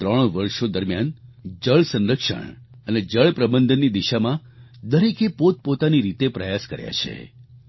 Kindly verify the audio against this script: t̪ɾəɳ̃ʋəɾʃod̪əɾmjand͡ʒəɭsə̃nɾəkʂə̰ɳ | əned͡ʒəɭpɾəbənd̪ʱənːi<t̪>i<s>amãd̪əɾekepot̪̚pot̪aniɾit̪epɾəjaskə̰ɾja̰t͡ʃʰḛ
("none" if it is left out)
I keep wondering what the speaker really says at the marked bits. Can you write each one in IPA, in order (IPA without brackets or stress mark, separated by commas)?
d̪, ʃ